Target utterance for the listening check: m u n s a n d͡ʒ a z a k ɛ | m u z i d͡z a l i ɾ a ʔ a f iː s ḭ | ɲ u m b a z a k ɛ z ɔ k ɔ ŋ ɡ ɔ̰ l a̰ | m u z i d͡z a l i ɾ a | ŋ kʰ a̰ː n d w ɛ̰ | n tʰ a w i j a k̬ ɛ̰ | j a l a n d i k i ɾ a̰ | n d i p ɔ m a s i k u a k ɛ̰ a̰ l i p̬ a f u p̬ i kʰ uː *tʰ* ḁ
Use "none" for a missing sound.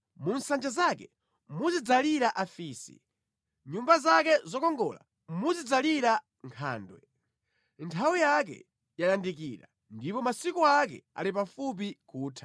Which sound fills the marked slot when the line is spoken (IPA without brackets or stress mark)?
tʰ